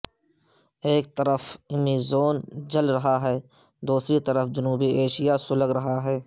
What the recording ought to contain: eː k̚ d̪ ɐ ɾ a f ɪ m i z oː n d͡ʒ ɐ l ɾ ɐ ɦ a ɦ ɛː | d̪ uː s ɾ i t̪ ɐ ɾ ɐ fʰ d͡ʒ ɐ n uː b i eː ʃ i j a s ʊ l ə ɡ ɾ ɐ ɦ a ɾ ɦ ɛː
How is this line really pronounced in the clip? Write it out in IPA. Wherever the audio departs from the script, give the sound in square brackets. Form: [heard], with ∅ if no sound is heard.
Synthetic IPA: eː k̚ [t̪] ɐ ɾ [ə] f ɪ m i z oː n d͡ʒ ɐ l ɾ ɐ ɦ a ɦ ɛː | d̪ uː s ɾ i t̪ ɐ ɾ [ə] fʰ d͡ʒ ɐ n uː b i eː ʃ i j a s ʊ l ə ɡ ɾ ɐ ɦ a [∅] ɦ ɛː